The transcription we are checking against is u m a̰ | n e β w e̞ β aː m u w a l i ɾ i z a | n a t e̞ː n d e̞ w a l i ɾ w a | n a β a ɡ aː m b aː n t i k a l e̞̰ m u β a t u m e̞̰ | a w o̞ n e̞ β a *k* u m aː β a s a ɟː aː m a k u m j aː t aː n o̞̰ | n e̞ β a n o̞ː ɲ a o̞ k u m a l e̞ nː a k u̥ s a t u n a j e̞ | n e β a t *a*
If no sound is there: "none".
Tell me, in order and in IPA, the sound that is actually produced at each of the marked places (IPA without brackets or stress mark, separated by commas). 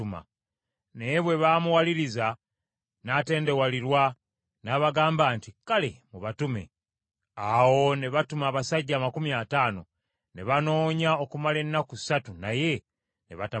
t, a